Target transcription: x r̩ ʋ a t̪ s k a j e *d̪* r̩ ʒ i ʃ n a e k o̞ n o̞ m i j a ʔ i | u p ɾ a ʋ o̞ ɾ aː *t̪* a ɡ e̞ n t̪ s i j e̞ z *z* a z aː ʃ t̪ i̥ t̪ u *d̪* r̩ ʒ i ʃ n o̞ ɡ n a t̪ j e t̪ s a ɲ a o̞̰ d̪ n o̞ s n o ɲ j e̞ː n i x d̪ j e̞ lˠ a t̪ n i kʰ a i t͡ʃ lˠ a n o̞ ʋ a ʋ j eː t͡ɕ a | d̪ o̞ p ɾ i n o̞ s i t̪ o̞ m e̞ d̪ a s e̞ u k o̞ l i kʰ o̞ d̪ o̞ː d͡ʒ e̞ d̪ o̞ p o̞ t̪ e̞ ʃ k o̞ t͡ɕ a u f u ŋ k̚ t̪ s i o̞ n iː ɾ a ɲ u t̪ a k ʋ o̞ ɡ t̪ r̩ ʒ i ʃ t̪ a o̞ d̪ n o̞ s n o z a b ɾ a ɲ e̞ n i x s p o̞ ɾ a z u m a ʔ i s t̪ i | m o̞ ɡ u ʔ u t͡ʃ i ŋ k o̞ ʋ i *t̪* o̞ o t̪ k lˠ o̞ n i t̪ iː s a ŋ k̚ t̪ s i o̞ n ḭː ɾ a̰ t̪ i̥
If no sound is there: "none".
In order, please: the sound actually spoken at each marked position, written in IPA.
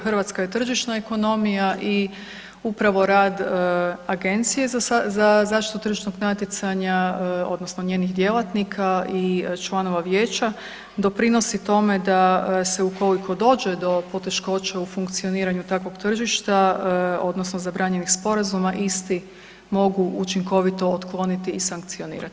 t̪, d̪, z, t̪, t̪

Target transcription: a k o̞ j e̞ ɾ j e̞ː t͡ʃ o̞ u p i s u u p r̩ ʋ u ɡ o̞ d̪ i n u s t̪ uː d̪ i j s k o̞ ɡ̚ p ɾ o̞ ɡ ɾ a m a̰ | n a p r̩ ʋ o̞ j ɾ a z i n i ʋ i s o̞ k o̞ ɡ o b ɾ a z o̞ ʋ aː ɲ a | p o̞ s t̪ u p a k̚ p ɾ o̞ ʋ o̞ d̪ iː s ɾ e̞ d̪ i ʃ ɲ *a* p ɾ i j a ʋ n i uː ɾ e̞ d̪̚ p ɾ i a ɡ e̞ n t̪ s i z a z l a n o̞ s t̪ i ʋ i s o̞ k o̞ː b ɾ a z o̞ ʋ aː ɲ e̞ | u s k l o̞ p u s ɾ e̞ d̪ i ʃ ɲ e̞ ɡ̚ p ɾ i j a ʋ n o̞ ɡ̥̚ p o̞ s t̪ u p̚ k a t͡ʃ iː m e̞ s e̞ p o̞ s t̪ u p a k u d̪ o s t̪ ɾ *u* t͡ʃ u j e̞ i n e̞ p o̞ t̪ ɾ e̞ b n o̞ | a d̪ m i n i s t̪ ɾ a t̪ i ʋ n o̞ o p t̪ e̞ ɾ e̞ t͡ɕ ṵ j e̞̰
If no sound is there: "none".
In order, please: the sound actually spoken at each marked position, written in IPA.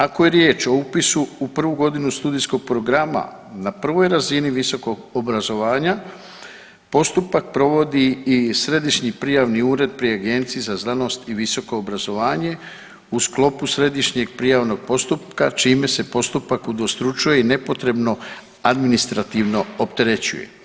i, u

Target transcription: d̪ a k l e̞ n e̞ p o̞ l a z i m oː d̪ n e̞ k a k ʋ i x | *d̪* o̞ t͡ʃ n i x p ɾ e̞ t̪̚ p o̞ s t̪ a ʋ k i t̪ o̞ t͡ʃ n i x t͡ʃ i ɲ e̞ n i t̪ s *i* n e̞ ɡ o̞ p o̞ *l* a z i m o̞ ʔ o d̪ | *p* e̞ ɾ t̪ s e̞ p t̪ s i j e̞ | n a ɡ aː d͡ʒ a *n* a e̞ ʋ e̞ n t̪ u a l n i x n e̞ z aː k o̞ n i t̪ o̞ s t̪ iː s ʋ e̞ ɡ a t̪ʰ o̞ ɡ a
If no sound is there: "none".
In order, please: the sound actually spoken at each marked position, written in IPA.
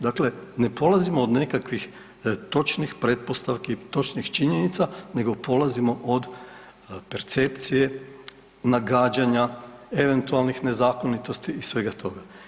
t̪, a, l, p, ɲ

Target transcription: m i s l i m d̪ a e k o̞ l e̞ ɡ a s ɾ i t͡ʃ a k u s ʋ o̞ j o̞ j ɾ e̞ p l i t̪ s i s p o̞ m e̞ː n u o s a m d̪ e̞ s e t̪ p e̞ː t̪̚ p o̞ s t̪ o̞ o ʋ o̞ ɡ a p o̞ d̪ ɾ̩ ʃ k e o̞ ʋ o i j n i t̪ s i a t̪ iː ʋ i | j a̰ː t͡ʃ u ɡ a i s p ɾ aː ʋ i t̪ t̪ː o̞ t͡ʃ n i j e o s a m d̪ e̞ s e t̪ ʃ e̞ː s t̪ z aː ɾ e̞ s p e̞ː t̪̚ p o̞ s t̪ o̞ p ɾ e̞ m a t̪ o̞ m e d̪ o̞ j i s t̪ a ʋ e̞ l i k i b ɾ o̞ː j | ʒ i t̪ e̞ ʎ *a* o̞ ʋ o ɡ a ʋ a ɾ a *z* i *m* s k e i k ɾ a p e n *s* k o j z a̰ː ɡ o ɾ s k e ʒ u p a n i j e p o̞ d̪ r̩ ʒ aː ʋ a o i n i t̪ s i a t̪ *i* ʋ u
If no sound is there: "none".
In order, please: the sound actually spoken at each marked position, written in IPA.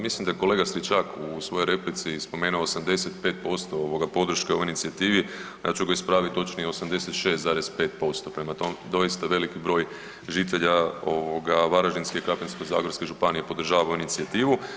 a, ʒ, n, s, iː

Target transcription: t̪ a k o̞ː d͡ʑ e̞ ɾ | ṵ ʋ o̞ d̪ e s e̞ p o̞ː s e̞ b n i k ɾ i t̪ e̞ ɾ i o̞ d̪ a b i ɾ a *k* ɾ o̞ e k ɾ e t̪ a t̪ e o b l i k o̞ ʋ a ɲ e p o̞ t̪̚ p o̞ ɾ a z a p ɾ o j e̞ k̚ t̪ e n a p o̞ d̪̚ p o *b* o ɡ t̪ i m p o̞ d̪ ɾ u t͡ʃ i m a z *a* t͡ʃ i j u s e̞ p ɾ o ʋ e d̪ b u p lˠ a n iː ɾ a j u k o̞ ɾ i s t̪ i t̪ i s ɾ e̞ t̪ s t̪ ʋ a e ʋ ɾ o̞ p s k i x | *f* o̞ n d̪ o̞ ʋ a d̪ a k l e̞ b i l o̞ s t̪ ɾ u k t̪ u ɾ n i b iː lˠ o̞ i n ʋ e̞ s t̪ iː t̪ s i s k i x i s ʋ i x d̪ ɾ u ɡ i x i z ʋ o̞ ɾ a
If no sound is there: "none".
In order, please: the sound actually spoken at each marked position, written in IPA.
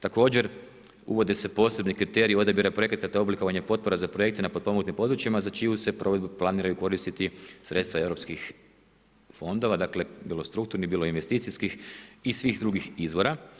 p, m, a, f

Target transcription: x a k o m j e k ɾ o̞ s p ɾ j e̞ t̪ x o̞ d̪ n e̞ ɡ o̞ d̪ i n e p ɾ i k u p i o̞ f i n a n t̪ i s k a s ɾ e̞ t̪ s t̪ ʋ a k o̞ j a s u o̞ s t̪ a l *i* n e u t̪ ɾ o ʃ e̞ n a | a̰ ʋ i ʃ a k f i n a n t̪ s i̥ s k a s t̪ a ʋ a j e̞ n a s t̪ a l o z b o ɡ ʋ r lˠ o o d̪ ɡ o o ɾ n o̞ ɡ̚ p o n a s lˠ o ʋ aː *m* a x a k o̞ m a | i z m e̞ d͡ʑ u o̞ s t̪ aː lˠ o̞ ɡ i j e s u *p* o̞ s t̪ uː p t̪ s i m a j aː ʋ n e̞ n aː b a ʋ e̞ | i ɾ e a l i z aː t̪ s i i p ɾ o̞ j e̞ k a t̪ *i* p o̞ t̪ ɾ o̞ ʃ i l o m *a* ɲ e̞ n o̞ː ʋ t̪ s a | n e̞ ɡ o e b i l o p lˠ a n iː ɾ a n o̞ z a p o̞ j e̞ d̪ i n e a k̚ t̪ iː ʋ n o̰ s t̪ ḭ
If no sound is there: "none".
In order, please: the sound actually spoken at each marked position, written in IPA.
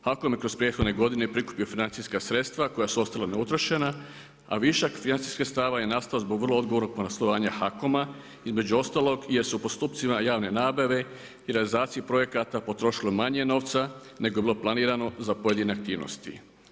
a, ɲ, p, a, a

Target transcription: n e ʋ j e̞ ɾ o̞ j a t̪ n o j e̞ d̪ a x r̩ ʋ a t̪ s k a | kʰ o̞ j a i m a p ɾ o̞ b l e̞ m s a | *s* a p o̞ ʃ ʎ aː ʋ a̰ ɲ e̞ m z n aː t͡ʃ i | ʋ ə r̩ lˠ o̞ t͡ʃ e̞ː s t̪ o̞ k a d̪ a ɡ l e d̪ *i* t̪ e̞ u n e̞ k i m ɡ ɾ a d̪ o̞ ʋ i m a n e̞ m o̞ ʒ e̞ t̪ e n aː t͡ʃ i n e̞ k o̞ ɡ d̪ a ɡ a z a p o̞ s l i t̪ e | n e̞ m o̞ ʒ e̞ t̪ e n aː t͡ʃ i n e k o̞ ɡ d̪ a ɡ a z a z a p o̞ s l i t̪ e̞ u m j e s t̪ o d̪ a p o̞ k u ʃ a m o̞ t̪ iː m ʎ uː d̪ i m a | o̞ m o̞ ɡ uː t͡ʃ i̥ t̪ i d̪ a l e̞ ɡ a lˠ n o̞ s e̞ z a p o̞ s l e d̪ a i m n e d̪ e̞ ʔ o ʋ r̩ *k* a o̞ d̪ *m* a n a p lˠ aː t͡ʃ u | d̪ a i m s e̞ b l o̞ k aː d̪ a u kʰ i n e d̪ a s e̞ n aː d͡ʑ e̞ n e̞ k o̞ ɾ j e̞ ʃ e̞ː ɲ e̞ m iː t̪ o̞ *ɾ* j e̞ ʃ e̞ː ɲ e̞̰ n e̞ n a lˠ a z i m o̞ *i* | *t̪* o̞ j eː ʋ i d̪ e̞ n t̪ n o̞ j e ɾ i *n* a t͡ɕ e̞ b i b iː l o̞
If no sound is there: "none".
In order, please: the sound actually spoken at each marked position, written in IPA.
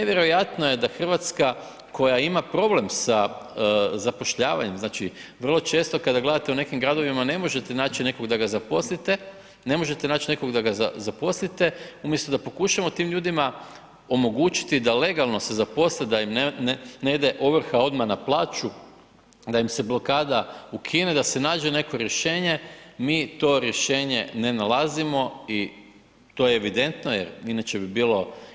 z, a, x, m, ɾ, i, t̪, n

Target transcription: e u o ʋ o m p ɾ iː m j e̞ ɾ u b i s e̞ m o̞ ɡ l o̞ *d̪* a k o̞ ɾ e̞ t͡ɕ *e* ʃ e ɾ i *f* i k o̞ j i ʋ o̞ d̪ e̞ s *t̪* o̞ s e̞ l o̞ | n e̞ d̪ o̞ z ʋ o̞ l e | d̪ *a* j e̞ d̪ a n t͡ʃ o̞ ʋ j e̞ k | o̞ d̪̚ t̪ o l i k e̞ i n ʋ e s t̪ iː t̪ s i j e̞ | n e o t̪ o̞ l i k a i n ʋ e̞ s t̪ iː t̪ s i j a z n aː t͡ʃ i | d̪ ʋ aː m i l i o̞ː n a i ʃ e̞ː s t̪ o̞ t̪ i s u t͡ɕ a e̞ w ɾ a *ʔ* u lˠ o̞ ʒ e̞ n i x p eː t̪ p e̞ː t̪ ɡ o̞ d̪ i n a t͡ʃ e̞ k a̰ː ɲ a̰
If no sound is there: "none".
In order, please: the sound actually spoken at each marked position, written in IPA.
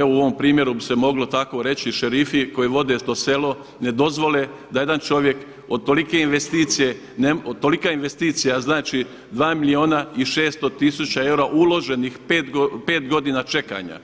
t̪, i, f, t̪, a, ʔ

